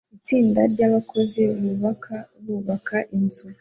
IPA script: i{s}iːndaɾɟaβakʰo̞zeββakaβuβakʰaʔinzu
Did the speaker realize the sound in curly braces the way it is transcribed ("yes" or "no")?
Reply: no